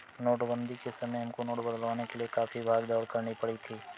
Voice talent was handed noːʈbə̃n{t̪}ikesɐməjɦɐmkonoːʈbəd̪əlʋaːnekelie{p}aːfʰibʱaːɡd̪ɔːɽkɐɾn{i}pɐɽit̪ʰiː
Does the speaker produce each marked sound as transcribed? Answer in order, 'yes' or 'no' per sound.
no, no, yes

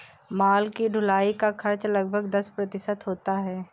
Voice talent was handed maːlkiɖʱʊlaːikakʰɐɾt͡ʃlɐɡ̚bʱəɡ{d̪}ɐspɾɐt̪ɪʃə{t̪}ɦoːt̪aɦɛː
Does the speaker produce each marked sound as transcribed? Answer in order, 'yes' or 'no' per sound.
yes, yes

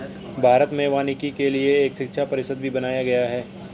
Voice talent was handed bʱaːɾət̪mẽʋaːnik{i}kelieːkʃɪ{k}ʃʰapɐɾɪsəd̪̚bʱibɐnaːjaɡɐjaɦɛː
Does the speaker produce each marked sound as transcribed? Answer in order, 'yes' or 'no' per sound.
yes, yes

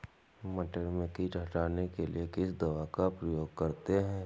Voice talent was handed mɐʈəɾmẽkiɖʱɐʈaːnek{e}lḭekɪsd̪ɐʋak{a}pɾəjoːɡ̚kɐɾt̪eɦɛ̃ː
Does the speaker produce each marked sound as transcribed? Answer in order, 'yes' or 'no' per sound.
yes, yes

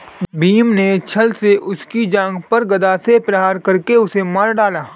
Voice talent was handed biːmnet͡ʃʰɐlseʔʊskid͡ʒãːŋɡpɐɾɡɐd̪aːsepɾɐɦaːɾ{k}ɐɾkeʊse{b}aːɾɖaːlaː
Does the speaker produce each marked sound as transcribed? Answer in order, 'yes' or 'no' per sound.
yes, no

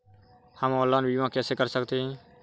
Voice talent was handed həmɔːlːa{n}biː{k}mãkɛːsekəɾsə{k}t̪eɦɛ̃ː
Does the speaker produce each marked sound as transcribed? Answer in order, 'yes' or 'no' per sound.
yes, no, yes

